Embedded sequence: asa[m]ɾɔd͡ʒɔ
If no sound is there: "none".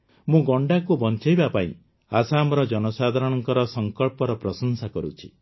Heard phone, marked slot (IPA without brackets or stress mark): m